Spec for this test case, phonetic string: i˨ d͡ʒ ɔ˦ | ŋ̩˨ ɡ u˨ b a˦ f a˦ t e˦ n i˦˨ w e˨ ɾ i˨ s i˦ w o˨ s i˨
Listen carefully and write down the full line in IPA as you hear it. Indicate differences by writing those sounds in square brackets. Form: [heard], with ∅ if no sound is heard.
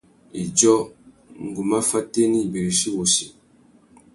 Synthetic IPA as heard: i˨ d͡ʒ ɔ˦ | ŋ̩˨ ɡ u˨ [m] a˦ f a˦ t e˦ n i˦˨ [b] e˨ ɾ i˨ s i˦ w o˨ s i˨